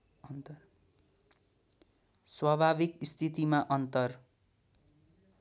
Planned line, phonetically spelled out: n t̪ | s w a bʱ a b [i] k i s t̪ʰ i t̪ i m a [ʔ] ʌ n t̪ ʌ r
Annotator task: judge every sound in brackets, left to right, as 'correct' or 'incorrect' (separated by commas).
correct, correct